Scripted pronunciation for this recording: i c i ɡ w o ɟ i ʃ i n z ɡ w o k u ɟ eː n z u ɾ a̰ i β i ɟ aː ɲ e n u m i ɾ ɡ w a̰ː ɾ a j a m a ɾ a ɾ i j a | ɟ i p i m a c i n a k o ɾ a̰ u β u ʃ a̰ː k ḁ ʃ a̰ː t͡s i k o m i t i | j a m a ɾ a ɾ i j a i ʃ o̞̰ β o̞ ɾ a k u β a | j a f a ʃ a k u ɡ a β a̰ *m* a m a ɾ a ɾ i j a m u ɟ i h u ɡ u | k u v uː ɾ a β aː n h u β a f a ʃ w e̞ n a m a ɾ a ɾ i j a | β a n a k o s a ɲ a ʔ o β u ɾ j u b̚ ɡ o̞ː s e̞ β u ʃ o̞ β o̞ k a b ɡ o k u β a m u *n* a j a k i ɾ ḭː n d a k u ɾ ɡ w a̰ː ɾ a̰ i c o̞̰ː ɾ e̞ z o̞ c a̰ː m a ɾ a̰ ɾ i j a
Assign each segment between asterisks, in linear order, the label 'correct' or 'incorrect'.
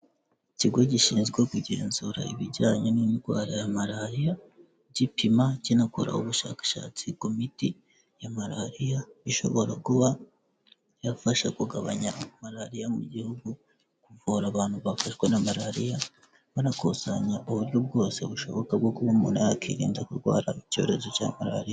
incorrect, correct

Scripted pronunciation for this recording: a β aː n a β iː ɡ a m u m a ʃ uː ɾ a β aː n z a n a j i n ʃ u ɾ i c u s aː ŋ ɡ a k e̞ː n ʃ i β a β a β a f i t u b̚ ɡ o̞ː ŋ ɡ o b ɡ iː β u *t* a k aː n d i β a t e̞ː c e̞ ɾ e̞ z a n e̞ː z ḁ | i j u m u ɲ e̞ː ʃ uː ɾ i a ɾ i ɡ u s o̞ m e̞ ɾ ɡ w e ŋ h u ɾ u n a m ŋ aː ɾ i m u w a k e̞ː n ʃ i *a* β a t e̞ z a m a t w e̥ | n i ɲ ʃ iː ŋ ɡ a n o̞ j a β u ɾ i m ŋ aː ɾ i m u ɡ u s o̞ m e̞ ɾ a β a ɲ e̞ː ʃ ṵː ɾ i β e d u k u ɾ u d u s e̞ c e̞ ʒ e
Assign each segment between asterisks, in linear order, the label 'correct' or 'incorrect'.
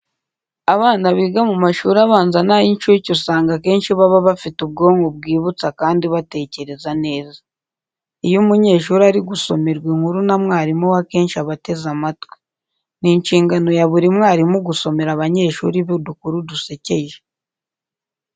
incorrect, correct

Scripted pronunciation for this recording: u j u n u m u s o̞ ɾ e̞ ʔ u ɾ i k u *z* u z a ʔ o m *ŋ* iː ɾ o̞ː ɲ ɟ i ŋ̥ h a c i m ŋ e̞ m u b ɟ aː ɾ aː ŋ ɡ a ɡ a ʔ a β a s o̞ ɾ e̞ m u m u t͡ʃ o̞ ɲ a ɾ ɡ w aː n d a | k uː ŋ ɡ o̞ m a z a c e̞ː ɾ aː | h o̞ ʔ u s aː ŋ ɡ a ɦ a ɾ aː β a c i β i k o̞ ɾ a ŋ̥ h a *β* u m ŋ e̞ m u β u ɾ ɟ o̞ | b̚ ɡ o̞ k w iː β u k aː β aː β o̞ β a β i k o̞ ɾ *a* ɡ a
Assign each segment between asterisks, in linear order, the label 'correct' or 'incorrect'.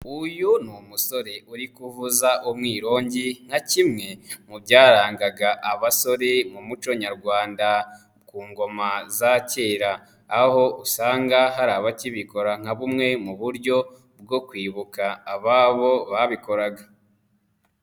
incorrect, correct, correct, correct

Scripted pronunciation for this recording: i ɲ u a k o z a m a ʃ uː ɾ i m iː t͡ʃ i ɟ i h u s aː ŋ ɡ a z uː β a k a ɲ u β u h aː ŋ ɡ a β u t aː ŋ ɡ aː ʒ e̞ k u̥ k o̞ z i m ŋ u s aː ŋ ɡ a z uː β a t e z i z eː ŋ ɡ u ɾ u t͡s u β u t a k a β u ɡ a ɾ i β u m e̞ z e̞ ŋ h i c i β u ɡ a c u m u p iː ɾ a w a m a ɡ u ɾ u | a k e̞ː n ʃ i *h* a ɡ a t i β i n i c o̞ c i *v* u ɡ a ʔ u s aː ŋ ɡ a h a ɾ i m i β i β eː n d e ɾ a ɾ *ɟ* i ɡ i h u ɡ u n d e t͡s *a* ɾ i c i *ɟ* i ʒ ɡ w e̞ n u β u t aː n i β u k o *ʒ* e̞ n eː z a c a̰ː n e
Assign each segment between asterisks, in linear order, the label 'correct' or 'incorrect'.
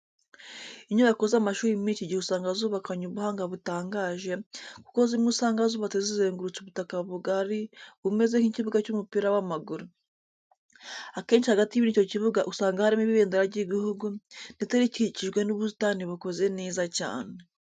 correct, incorrect, correct, incorrect, incorrect, incorrect

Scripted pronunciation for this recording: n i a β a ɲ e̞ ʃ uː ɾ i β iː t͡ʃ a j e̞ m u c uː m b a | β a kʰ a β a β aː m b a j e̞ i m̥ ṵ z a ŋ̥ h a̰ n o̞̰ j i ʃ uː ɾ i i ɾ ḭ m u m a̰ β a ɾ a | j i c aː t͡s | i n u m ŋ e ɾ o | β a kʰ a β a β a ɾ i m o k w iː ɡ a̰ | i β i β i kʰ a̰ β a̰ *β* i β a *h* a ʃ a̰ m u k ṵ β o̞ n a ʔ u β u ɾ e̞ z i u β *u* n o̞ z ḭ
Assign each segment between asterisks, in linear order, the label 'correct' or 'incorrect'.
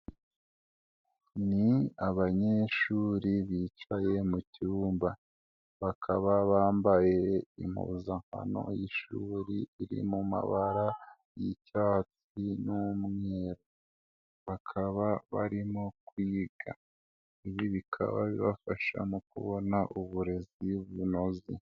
correct, incorrect, correct

